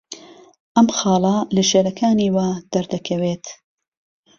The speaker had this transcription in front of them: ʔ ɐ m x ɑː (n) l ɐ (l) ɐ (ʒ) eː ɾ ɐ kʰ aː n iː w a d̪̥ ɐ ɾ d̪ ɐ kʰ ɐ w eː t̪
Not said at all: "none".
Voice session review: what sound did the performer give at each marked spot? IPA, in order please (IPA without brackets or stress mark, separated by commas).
none, l, ʃ